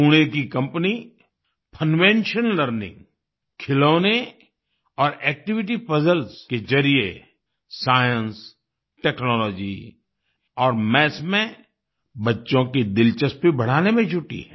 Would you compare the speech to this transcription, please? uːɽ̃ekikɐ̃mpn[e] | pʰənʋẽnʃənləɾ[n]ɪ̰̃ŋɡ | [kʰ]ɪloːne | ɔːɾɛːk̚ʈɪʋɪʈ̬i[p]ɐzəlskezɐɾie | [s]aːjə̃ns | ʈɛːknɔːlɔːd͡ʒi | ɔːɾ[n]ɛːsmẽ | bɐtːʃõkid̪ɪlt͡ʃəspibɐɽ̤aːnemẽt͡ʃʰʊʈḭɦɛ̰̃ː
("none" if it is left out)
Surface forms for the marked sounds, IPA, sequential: i, n, kʰ, p, s, m

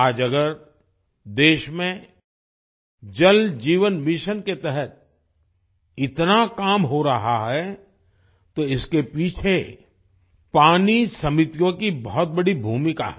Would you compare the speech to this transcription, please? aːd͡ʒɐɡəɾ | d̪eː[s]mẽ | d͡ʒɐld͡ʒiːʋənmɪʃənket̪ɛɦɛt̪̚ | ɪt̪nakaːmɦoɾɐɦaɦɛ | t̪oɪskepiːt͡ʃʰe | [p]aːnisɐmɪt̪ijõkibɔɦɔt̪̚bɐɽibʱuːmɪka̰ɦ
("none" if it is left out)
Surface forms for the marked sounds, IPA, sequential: ʃ, p

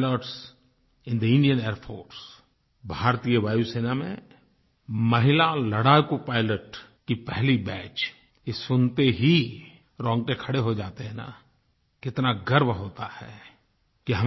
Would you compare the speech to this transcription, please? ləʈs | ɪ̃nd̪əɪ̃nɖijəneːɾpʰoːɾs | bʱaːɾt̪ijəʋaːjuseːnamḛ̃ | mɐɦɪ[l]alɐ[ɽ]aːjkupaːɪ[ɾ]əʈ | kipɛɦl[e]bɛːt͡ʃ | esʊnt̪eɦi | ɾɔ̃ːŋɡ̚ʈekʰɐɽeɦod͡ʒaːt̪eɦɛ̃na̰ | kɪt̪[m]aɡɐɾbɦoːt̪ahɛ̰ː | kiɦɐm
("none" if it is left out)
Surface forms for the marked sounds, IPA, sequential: l, ɽ, l, i, n

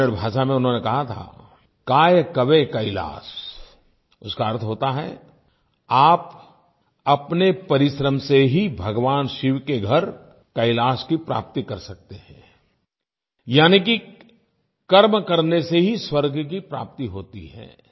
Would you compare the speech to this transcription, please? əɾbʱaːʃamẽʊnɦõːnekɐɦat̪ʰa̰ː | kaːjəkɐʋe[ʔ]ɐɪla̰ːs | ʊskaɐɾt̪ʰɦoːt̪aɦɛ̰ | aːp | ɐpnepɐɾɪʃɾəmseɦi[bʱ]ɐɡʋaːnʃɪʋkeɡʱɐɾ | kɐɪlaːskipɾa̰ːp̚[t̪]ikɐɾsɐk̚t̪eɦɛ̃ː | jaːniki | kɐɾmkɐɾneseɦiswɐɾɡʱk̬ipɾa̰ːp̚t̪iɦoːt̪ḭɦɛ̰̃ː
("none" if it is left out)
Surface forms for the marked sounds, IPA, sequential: k, bʱ, t̪

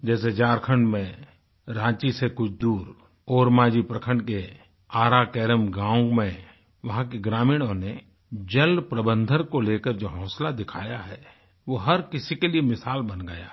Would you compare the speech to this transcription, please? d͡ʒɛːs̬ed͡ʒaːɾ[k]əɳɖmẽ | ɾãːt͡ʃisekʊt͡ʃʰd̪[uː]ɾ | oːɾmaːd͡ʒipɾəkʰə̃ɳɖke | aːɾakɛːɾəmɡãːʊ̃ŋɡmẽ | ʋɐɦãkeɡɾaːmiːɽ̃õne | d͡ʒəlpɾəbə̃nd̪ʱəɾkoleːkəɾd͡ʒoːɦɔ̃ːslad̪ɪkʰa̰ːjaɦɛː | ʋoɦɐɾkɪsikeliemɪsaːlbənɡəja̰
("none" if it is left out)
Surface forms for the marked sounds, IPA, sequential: kʰ, uː

